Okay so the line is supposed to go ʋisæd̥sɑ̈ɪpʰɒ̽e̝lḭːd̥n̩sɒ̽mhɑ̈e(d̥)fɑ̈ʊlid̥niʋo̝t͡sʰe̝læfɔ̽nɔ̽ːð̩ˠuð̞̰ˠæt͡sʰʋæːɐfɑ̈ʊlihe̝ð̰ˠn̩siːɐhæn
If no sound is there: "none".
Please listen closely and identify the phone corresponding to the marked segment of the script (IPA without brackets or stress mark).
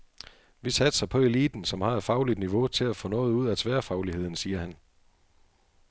d̥